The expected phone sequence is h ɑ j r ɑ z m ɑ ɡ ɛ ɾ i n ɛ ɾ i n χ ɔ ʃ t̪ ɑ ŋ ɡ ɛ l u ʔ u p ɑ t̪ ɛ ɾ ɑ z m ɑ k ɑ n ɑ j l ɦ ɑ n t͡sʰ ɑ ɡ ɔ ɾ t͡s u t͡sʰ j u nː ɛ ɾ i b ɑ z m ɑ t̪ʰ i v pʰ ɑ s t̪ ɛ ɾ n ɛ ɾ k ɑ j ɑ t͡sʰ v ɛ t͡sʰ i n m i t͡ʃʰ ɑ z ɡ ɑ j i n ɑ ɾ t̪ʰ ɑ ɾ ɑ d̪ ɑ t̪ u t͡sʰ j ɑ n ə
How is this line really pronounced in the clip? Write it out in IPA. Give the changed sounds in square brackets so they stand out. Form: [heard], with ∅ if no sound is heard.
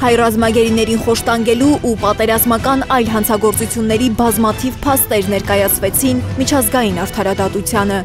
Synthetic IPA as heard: h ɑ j r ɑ z m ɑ ɡ ɛ ɾ i n ɛ ɾ i n χ ɔ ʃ t̪ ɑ ŋ ɡ ɛ l u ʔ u p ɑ t̪ ɛ ɾ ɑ z m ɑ k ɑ n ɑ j l ɦ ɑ n t͡sʰ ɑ ɡ ɔ ɾ t͡s u t͡sʰ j u nː ɛ ɾ i b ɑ z m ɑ t̪ʰ i v pʰ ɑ s t̪ ɛ ɾ n ɛ ɾ k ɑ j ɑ t͡sʰ v ɛ t͡sʰ i n m i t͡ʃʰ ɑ z ɡ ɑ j i n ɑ ɾ t̪ʰ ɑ ɾ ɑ d̪ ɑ t̪ u t͡sʰ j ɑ n ə

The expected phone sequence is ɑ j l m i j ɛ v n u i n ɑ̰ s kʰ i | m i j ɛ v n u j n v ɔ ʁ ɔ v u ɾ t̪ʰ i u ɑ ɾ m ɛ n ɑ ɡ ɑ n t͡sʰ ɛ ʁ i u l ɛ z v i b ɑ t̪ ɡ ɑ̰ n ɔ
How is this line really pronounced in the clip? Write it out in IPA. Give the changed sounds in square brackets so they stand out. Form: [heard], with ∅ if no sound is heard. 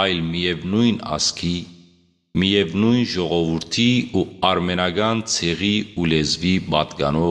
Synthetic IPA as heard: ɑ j l m i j ɛ v n u [j] n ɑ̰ s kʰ i | m i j ɛ v n u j n [ʒ] ɔ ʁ ɔ v u ɾ t̪ʰ i u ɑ ɾ m ɛ n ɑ ɡ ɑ n t͡sʰ ɛ ʁ i u l ɛ z v i b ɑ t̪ ɡ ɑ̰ n ɔ

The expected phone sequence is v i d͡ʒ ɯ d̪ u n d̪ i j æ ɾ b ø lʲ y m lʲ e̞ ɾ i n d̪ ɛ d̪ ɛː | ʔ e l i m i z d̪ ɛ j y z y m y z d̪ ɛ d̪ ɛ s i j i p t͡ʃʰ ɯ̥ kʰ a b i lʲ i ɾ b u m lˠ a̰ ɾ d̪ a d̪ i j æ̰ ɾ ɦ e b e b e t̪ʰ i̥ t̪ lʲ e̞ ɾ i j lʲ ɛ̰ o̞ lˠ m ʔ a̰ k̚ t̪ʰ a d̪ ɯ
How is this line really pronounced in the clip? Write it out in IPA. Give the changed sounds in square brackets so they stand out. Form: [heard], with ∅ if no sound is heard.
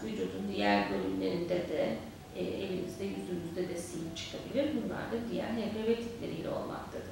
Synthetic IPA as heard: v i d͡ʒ [u] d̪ u n d̪ i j æ ɾ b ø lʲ y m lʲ e̞ ɾ i n d̪ ɛ d̪ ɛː | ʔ e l i m i z d̪ ɛ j y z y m y z d̪ ɛ d̪ ɛ s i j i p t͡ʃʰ ɯ̥ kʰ a b i lʲ i ɾ b u [n] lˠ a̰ ɾ d̪ a d̪ i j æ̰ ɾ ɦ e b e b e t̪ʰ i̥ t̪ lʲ e̞ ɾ i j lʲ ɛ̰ o̞ lˠ m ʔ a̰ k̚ t̪ʰ a d̪ ɯ

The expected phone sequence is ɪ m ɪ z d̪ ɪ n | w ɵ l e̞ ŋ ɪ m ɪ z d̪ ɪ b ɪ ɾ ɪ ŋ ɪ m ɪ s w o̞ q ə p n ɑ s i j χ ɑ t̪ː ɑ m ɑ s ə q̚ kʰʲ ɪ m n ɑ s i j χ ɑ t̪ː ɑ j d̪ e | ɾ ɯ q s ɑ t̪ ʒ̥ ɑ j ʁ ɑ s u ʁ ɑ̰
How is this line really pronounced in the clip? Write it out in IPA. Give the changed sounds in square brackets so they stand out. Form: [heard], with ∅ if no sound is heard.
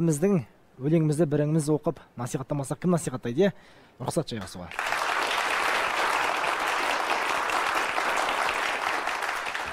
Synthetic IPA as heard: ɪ m ɪ z d̪ ɪ [ŋ] | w ɵ l e̞ ŋ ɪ m ɪ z d̪ ɪ b ɪ ɾ ɪ ŋ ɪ m ɪ [z] w o̞ q ə p n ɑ s i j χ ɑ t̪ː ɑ m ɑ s [ɑ] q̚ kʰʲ ɪ m n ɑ s i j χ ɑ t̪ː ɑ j d̪ e | ɾ [ʊ] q s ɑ t̪ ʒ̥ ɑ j ʁ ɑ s u ʁ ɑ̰

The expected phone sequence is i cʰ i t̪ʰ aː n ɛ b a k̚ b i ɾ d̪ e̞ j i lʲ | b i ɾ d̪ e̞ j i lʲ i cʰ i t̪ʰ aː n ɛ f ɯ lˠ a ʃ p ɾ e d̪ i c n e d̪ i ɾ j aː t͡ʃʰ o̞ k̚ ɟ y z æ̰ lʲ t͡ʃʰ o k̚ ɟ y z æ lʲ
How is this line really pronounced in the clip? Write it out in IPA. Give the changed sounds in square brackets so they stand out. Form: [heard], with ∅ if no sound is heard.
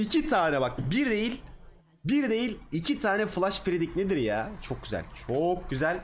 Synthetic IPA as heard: i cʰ i t̪ʰ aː n ɛ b a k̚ b i ɾ d̪ e̞ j i lʲ | b i ɾ d̪ e̞ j i lʲ i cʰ i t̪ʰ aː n ɛ f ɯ lˠ a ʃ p ɾ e d̪ i c n e d̪ i ɾ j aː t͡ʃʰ o̞ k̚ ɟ y z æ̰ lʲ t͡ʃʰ o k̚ ɟ y z æ lʲ

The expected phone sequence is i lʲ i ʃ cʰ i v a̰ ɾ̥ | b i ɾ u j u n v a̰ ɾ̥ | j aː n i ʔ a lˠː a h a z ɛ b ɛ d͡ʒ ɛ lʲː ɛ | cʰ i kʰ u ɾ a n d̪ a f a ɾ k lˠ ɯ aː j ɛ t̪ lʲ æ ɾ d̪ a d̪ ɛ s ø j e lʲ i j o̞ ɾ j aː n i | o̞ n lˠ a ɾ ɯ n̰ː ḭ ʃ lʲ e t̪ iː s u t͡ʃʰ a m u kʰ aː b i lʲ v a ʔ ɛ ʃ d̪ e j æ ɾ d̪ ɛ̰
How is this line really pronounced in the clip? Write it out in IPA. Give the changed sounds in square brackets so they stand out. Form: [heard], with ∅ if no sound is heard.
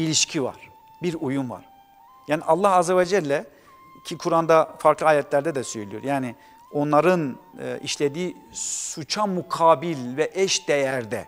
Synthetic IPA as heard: i lʲ i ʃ cʰ i v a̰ ɾ̥ | b i ɾ u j u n v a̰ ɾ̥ | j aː n i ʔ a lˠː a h a z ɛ [v] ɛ d͡ʒ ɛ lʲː ɛ | cʰ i kʰ u ɾ a n d̪ a f a ɾ k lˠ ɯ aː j ɛ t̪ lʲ æ ɾ d̪ [ɛ] d̪ ɛ s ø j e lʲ i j o̞ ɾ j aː n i | o̞ n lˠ a ɾ ɯ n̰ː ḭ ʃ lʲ e [d̪] iː s u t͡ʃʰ a m u kʰ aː b i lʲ v [ɛ] ʔ ɛ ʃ d̪ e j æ ɾ d̪ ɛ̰

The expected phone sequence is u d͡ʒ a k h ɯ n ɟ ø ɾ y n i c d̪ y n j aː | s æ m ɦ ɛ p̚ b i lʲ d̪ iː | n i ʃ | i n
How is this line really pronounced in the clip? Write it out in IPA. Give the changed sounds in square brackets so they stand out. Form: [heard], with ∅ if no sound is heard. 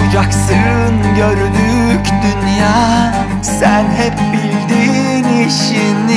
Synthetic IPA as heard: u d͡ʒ a k [s] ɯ n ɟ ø ɾ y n [y] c d̪ y n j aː | s æ [n] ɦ ɛ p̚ b i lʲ d̪ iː | n i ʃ | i n

